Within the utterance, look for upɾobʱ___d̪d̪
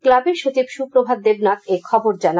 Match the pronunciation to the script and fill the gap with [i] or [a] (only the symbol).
a